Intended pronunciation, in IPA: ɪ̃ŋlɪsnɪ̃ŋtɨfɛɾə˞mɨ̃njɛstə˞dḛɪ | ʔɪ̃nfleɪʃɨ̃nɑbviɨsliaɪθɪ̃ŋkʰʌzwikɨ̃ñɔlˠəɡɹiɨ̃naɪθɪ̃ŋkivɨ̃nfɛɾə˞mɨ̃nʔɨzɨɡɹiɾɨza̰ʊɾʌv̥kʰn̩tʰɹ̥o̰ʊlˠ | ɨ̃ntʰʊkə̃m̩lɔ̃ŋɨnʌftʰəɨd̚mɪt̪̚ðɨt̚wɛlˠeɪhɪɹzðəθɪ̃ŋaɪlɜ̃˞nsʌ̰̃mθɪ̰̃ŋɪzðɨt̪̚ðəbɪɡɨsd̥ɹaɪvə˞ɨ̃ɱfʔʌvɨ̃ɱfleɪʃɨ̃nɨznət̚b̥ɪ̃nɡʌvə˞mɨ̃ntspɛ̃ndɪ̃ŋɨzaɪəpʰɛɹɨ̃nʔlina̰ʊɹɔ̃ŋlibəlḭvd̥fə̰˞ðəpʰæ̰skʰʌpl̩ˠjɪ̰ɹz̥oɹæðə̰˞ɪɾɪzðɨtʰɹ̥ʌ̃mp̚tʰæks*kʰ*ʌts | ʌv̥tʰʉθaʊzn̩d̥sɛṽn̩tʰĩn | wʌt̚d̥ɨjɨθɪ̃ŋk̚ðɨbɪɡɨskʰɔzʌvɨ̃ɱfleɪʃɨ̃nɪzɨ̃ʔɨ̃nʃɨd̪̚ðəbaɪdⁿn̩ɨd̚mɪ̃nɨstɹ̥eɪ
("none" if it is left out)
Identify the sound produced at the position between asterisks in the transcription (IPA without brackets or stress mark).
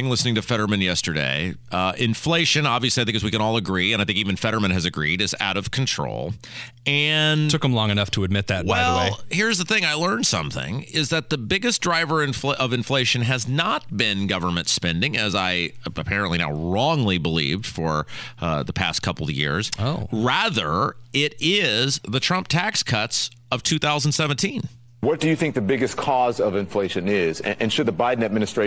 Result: kʰ